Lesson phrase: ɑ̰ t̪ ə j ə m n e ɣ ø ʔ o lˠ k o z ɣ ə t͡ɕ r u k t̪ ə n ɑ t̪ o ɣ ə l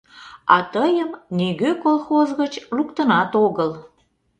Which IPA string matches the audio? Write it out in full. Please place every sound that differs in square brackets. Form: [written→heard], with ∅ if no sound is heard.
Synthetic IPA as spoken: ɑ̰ t̪ ə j ə m n e ɣ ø [ʔ→k] o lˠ [k→x] o z ɣ ə t͡ɕ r u k t̪ ə n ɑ t̪ o ɣ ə l